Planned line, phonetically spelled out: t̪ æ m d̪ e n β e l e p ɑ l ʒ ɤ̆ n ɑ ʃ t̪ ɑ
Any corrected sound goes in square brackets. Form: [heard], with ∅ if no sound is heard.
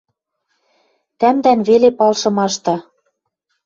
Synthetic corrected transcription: t̪ æ m d̪ [æ] n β e l e p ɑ l [ʃ] ɤ̆ [m] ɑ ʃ t̪ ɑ